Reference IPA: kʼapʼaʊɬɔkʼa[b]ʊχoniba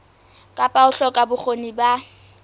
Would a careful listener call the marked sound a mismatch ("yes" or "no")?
no